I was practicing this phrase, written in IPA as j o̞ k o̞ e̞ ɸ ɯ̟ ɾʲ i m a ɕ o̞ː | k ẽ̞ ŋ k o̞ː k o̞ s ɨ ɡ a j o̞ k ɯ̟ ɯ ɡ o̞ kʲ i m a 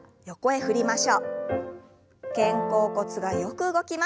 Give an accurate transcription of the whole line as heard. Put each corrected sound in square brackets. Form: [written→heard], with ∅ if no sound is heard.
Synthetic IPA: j o̞ k o̞ e̞ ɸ ɯ̟ ɾʲ i m a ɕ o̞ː | k ẽ̞ ŋ k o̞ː k o̞ [s→t͡s] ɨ ɡ a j o̞ k ɯ̟ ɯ ɡ o̞ kʲ i m a